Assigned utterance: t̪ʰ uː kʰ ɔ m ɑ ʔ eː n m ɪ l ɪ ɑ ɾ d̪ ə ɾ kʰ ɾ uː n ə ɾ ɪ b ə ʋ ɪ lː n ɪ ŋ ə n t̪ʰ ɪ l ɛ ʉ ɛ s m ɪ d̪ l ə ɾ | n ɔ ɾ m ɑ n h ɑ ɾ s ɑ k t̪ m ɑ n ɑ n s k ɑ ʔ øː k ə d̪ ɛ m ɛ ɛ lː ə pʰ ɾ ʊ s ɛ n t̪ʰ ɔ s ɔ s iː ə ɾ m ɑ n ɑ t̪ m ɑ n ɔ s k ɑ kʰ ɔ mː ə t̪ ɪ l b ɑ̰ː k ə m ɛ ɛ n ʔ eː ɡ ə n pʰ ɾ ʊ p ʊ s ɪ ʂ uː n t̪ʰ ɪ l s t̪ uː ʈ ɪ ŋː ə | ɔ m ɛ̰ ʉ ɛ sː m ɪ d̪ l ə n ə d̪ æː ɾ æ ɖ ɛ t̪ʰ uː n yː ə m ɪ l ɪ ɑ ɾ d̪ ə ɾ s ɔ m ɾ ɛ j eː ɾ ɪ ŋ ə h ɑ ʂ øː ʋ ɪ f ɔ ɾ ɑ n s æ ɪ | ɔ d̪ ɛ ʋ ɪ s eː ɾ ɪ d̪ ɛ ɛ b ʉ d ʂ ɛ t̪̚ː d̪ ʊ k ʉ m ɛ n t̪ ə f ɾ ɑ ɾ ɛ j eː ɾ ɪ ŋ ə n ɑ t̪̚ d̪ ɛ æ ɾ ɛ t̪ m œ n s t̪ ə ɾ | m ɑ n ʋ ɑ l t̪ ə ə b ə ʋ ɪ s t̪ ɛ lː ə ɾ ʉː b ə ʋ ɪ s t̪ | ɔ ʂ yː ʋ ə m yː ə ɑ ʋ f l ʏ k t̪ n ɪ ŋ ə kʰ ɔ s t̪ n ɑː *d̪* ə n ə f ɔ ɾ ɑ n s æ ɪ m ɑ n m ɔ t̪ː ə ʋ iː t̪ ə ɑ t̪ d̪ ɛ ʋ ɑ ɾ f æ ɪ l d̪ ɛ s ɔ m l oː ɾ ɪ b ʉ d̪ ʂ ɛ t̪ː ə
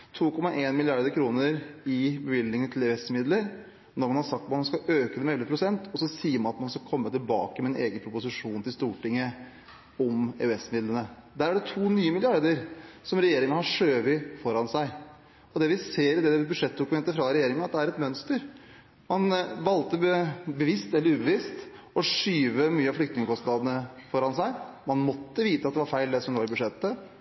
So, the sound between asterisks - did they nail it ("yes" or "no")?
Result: yes